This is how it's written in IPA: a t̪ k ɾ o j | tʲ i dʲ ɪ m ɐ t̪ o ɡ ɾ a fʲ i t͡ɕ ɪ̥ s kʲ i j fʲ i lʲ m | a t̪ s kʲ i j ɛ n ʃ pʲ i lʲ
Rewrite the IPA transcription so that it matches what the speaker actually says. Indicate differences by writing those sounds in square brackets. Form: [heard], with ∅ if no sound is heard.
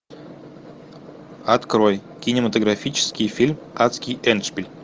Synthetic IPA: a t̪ k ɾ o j | [kʲ] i [nʲ] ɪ m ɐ t̪ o ɡ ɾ a fʲ i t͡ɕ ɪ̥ s kʲ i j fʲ i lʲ m | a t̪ s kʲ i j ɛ n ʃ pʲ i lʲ